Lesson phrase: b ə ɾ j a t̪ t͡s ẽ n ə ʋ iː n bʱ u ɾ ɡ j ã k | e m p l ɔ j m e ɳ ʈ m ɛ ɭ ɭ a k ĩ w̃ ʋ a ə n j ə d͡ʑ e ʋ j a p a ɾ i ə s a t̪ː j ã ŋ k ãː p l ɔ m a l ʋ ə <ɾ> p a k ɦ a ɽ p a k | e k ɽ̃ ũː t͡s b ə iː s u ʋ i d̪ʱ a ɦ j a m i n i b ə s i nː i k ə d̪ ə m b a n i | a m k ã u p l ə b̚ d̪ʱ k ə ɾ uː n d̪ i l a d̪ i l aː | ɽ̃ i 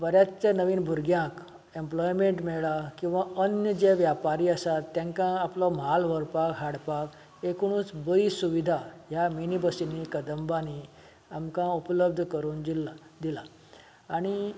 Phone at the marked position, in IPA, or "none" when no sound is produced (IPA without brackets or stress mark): ɾ